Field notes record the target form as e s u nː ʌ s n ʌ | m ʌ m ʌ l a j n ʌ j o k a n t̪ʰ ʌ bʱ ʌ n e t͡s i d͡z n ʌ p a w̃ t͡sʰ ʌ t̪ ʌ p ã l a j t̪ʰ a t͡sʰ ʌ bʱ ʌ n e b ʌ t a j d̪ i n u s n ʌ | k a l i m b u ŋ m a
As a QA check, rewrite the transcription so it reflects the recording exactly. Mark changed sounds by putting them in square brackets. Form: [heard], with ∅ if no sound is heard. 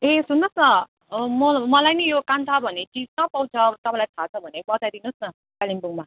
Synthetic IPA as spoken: e s u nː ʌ s n ʌ | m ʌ m ʌ l a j n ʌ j o k a n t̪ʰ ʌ bʱ ʌ n e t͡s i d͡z n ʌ p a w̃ t͡sʰ ʌ t̪ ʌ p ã l a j t̪ʰ a t͡sʰ ʌ bʱ ʌ n e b ʌ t a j d̪ i n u s n ʌ | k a l i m b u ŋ m a